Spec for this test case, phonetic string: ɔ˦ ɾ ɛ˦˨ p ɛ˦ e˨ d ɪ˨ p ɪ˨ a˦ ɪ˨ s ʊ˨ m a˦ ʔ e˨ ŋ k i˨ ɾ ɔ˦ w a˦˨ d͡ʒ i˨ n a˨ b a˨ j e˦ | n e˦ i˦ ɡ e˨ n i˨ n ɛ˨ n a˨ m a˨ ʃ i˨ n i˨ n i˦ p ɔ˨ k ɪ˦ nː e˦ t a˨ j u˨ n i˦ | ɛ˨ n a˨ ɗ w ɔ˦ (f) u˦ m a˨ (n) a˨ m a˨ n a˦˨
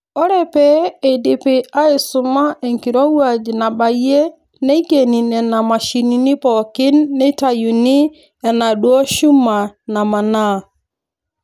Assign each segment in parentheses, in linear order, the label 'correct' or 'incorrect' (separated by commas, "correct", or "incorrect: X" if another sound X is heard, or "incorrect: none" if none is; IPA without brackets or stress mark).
incorrect: ʃ, correct